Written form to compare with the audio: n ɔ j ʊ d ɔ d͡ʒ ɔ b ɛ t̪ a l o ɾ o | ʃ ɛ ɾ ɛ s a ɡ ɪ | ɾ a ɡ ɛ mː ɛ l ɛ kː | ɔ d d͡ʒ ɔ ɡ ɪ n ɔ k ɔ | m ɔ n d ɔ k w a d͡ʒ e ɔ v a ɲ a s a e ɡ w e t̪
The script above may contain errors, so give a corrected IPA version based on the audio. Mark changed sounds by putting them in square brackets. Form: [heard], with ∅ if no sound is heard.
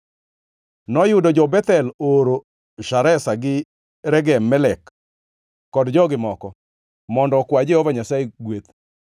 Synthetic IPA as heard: n ɔ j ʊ d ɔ d͡ʒ ɔ b ɛ t̪ [ɛ] l o ɾ o | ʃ [a] ɾ ɛ s a ɡ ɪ | ɾ [ɛ] ɡ ɛ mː ɛ l ɛ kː | ɔ d d͡ʒ ɔ ɡ ɪ [m] ɔ k ɔ | m ɔ n d ɔ k w a d͡ʒ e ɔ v a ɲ a s a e ɡ w e t̪